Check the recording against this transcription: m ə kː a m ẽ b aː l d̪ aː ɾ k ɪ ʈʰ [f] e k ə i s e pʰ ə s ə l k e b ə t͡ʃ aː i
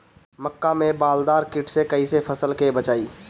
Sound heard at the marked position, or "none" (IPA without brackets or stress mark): s